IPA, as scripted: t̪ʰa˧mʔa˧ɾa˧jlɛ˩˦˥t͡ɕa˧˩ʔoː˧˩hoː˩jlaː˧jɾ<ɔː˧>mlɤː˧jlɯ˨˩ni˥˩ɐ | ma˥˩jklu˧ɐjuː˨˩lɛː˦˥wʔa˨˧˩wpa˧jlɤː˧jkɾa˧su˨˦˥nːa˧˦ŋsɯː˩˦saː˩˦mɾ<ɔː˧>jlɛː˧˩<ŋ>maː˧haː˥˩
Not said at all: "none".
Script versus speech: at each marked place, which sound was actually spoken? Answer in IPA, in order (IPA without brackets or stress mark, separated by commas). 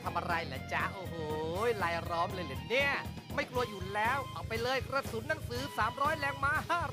ɔː˦˥, ɔː˦˥, ŋ